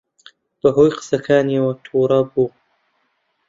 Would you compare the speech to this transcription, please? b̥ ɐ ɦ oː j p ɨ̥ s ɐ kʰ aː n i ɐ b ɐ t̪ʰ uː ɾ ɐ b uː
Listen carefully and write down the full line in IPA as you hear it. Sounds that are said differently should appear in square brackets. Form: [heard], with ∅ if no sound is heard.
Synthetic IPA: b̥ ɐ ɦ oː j [q] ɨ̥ s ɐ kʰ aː n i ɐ [w] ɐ t̪ʰ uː ɾ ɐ b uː